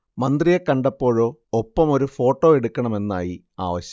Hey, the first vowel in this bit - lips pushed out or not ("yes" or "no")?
no